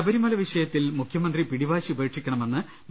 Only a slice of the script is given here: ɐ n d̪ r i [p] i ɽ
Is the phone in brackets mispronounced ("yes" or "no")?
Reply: no